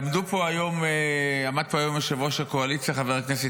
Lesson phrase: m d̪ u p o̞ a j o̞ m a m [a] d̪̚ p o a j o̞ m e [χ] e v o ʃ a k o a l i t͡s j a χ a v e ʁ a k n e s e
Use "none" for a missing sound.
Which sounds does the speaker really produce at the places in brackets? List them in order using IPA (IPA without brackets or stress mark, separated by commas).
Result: a, ʃ